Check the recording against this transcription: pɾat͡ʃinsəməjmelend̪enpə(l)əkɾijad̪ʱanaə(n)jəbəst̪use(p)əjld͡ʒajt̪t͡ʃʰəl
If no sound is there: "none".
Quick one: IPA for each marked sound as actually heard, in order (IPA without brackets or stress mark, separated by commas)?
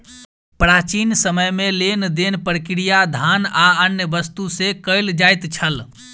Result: ɾ, n, k